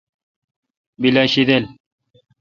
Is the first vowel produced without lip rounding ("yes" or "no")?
yes